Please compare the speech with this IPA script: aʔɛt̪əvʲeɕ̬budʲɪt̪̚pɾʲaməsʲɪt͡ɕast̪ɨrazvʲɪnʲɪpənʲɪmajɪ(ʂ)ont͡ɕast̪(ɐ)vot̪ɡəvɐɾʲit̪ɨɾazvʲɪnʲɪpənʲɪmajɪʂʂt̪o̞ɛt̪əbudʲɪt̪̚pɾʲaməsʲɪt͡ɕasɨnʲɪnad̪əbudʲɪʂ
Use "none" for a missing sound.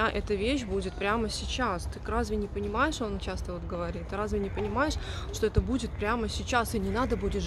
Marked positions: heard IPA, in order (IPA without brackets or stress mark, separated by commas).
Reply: ʂ, ə